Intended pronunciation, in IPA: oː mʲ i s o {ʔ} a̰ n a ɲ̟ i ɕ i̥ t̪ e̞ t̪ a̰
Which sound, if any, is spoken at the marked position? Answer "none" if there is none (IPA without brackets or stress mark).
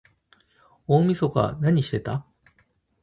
k